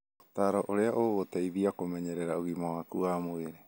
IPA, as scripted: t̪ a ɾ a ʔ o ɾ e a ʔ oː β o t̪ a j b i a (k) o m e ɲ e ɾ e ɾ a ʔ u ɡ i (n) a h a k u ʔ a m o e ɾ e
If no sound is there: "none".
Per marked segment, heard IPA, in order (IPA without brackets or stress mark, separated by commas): k, m